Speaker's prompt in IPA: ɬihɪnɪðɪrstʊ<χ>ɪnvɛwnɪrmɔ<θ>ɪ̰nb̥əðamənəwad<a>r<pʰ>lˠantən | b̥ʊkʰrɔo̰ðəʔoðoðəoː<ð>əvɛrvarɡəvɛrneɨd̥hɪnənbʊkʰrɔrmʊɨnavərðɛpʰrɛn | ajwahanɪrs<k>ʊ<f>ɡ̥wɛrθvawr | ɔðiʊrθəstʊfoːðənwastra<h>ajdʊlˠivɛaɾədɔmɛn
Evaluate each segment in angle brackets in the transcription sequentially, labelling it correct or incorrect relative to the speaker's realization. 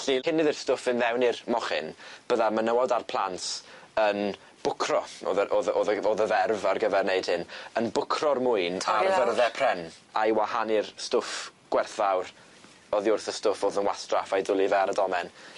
incorrect: f, incorrect: χ, correct, correct, correct, incorrect: t, correct, incorrect: f

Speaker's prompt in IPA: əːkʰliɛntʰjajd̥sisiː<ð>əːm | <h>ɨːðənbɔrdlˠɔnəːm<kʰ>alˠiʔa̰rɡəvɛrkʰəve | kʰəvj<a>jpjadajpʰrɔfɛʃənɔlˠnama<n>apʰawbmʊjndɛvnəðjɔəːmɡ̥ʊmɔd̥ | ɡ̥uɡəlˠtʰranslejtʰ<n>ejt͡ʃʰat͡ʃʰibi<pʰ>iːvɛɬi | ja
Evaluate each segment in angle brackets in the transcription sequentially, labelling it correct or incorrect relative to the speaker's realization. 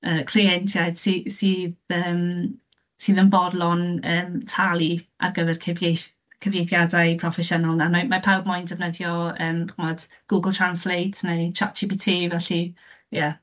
correct, incorrect: s, incorrect: tʰ, incorrect: e, incorrect: m, correct, incorrect: tʰ

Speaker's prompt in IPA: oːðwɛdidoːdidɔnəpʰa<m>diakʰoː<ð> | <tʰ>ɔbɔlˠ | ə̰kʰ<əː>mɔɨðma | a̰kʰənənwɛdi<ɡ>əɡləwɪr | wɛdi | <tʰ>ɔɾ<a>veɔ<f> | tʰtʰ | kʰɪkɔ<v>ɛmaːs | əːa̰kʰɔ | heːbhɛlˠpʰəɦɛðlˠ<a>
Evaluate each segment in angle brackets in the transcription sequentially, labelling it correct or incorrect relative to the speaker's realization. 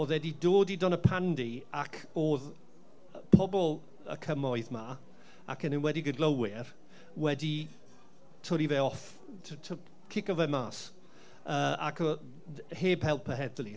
incorrect: n, correct, incorrect: pʰ, incorrect: ə, correct, correct, incorrect: i, correct, correct, incorrect: i

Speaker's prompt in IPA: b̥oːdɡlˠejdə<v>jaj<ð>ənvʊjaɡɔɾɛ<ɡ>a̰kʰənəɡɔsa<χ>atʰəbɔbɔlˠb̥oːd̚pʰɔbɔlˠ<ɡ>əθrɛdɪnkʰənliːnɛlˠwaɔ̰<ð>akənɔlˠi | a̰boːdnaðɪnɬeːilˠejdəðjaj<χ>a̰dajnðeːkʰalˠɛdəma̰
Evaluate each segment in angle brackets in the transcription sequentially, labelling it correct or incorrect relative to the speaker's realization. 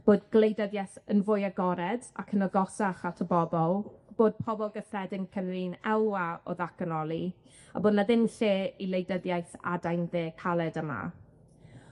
incorrect: ð, incorrect: θ, incorrect: d, correct, correct, correct, incorrect: θ

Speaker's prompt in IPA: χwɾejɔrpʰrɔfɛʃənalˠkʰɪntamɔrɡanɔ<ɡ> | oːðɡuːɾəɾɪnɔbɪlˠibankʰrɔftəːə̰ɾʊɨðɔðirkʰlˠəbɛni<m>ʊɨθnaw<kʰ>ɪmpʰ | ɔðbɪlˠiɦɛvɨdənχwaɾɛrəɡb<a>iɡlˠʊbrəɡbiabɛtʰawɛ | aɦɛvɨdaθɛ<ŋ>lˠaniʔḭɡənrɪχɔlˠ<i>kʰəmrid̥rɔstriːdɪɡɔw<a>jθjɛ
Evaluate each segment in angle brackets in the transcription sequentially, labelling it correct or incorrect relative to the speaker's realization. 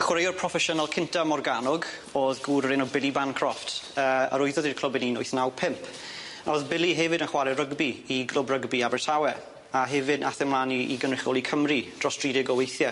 correct, incorrect: n, incorrect: pʰ, incorrect: i, incorrect: m, correct, incorrect: e

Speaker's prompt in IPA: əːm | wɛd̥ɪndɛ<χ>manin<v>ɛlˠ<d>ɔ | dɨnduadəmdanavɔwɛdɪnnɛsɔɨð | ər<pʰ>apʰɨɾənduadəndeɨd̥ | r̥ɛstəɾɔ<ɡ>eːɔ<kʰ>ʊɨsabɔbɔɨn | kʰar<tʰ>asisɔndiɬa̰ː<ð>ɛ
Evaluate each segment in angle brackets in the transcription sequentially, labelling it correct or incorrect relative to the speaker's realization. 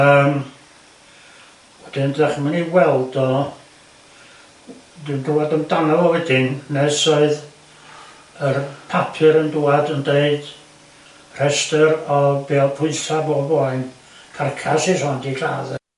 correct, incorrect: w, correct, correct, incorrect: b, incorrect: pʰ, incorrect: kʰ, correct

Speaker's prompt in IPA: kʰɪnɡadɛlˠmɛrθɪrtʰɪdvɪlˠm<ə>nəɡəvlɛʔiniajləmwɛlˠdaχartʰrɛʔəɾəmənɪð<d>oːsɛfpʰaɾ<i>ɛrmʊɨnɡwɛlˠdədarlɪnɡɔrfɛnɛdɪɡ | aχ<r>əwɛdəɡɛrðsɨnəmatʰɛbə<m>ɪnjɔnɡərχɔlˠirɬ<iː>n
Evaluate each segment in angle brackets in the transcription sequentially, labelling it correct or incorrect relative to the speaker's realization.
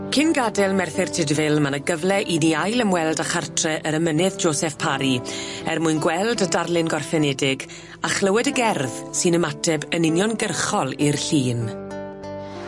incorrect: a, incorrect: d͡ʒ, correct, incorrect: l, incorrect: n, correct

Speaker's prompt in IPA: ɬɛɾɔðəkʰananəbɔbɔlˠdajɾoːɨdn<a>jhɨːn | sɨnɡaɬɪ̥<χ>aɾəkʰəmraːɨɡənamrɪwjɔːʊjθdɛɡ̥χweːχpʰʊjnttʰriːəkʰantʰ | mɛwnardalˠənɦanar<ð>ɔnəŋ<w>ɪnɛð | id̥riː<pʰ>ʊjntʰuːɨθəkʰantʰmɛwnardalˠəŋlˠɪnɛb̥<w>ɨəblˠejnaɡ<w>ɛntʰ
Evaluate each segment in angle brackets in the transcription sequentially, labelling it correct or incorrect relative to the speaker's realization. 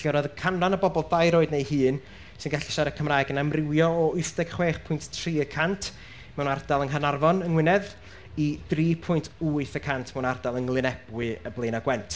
incorrect: e, incorrect: ʃ, incorrect: v, correct, correct, correct, correct

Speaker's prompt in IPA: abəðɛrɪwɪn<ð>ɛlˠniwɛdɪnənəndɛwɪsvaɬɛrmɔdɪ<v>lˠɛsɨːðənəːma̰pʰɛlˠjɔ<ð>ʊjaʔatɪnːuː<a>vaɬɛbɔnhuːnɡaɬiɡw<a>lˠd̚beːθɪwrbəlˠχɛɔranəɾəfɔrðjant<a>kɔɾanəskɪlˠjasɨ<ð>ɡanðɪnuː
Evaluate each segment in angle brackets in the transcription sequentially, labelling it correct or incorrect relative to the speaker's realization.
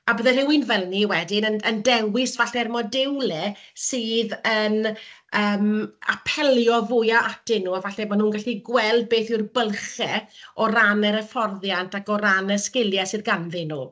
incorrect: v, incorrect: w, incorrect: v, correct, incorrect: ɛ, correct, correct

